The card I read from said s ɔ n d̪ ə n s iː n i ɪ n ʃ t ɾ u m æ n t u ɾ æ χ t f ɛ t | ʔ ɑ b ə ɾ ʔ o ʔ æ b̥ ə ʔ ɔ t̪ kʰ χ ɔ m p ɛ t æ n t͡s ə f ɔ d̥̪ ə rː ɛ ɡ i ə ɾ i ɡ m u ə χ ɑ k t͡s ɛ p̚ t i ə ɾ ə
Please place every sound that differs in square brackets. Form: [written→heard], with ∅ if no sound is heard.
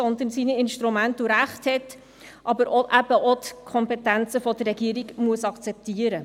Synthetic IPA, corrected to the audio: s ɔ n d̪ ə n s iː n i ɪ n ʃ t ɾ u m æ n t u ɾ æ χ t [f→h] ɛ t | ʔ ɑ b ə ɾ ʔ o ʔ æ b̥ ə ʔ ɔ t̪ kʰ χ ɔ m p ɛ t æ n t͡s ə f ɔ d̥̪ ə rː ɛ ɡ i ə ɾ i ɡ m u ə [χ→s] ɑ k t͡s ɛ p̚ t i ə ɾ ə